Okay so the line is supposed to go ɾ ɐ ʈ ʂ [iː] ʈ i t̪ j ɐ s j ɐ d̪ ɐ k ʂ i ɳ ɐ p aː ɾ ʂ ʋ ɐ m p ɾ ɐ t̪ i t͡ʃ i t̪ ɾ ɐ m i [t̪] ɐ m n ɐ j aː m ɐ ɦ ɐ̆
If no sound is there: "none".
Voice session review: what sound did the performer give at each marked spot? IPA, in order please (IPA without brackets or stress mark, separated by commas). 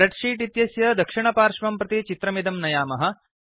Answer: iː, d̪